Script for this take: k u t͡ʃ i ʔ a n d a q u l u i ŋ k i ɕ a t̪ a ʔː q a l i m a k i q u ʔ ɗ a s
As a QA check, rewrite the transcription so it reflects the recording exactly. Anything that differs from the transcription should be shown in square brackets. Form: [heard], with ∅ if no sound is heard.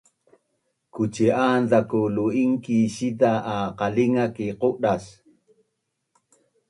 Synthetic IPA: k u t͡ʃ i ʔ a n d a [k] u l u i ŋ k i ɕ [i] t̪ a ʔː q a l i [ŋ] a k i q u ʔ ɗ a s